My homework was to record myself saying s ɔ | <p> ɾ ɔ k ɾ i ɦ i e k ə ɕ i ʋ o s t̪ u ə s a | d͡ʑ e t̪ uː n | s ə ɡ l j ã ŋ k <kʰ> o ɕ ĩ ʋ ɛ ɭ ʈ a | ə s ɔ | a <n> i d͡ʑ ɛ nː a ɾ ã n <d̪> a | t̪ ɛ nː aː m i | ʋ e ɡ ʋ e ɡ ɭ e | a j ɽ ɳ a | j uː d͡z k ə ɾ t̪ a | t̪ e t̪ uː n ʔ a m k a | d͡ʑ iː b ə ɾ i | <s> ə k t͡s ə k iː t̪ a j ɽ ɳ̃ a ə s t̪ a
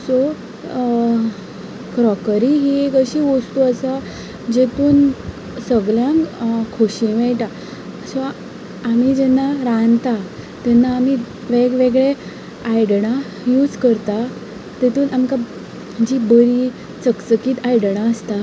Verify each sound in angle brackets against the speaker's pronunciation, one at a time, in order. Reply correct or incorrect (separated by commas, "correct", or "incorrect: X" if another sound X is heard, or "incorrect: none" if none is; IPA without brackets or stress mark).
incorrect: k, correct, incorrect: m, incorrect: t̪, incorrect: t͡s